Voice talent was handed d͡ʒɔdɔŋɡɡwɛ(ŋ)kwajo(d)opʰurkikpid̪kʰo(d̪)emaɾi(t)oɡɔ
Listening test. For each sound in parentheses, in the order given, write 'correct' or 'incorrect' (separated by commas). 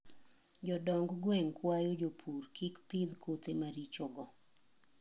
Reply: correct, incorrect, incorrect, incorrect